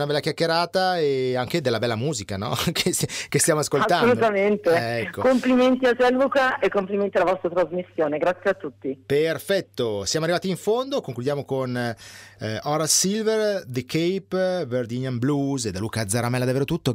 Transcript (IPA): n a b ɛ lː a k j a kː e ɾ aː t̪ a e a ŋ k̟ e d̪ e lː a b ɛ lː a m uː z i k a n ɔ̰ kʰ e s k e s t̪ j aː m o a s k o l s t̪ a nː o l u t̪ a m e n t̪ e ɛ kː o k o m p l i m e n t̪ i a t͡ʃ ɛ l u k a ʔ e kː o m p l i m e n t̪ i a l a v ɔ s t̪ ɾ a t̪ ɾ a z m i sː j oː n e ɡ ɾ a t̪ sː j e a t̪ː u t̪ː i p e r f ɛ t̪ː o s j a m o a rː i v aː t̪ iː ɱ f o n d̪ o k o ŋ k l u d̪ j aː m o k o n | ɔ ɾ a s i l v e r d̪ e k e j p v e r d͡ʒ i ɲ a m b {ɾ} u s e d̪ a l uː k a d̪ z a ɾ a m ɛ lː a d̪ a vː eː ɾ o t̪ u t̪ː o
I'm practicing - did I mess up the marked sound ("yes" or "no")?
yes